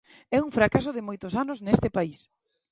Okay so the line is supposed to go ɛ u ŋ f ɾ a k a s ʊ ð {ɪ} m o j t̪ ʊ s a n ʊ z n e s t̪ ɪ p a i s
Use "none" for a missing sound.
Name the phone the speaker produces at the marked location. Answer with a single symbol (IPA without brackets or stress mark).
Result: ɪ